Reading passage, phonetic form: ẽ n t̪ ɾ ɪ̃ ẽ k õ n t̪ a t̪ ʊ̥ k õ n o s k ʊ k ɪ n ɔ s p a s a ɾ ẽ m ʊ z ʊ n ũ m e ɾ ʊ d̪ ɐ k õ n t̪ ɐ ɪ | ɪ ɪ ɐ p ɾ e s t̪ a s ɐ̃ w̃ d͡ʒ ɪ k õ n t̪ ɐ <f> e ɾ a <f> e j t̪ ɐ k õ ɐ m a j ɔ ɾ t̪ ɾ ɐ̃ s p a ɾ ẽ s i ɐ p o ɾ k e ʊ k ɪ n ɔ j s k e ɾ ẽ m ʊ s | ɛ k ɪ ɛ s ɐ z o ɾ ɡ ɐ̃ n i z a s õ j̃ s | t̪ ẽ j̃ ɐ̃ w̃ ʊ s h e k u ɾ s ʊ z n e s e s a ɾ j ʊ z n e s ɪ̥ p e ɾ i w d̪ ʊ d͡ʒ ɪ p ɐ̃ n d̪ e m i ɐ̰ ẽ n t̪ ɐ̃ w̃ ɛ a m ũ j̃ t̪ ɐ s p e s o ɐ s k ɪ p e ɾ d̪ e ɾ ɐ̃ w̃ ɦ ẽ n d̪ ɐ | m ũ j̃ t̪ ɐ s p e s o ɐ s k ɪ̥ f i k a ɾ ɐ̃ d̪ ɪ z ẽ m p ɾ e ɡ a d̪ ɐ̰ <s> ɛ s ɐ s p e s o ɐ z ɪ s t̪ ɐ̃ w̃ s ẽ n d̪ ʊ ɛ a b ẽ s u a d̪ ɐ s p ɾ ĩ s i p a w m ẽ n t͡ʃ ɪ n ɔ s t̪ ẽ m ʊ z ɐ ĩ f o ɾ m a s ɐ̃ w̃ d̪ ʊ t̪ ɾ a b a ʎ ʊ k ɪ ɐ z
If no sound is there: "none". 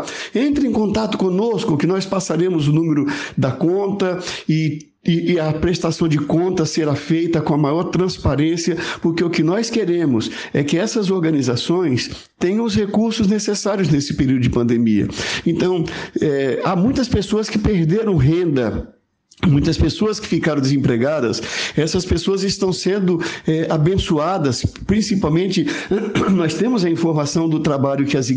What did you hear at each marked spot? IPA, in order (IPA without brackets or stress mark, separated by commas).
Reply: s, f, s